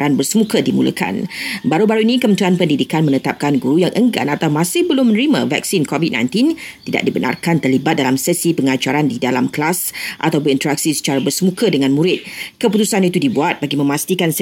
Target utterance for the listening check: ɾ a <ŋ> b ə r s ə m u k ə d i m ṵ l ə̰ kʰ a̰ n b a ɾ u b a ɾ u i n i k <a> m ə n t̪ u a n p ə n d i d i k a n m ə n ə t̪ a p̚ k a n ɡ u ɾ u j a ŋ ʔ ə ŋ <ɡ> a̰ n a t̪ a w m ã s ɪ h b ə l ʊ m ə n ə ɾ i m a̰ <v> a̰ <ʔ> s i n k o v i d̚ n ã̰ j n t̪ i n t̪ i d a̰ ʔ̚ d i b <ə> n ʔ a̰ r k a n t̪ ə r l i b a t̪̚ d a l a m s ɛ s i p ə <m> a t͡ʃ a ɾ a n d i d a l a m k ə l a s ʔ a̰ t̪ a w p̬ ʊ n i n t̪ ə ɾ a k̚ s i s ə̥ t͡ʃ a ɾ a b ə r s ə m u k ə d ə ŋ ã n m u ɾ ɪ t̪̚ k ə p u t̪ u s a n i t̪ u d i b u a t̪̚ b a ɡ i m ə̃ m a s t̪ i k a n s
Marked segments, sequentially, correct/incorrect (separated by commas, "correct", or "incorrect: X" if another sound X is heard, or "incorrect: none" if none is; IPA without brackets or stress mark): incorrect: n, incorrect: ə, correct, correct, incorrect: k, correct, incorrect: ŋ